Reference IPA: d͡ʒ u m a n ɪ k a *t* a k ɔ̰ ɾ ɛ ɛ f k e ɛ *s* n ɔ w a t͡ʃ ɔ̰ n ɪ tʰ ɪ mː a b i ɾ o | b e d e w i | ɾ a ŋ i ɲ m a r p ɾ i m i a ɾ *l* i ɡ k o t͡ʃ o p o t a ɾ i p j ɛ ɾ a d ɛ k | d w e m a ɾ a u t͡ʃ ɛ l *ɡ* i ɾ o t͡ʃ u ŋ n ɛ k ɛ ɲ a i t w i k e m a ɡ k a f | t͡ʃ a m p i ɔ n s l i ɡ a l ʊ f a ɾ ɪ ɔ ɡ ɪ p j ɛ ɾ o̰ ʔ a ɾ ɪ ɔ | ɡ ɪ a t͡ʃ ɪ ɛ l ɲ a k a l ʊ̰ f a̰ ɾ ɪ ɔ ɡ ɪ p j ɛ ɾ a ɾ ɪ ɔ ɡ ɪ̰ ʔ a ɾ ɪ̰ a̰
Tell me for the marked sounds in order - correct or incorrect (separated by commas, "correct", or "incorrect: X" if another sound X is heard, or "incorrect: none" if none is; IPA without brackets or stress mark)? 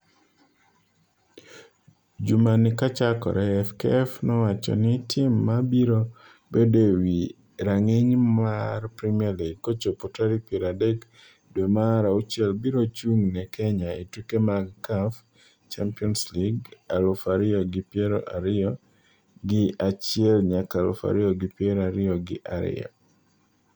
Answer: incorrect: t͡ʃ, incorrect: f, correct, incorrect: b